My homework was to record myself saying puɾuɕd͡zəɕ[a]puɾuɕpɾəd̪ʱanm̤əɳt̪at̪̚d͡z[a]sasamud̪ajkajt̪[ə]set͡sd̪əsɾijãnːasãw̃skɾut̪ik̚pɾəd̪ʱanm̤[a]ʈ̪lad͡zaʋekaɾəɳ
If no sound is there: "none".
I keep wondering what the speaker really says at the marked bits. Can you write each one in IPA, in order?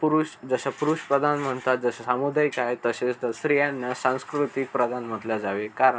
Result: a, ə, ə, ə

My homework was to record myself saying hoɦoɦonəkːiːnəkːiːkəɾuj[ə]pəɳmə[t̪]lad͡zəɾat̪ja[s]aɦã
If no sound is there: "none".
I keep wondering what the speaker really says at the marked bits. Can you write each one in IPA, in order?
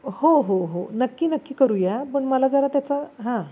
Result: a, none, t͡s

